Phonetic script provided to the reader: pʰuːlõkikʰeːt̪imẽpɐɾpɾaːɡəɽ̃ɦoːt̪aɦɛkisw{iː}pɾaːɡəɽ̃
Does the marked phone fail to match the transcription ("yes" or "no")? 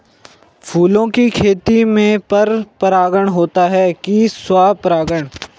yes